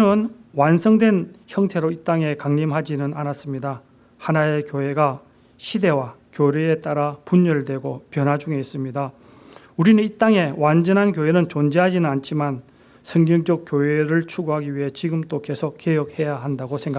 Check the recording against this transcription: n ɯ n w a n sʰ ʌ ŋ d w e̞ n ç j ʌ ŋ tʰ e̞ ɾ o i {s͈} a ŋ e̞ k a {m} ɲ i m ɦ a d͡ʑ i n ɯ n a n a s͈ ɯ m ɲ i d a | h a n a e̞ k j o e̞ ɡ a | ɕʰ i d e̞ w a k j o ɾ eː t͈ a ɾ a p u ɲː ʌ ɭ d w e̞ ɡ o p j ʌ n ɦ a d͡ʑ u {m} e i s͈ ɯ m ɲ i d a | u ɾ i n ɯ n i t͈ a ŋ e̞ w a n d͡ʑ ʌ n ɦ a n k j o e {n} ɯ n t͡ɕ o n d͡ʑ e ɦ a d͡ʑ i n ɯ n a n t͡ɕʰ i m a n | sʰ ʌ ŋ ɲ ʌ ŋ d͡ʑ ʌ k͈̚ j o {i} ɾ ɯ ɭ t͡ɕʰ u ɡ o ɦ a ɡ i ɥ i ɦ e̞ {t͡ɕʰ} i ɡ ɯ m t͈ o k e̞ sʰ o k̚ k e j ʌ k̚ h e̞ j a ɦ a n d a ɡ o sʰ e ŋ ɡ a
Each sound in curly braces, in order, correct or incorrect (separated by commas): incorrect, incorrect, incorrect, correct, incorrect, incorrect